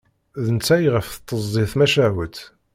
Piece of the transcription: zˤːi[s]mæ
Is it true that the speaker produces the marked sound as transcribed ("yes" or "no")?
no